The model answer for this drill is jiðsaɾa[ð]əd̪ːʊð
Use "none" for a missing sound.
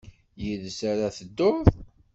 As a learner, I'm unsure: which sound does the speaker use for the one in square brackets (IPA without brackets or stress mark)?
θ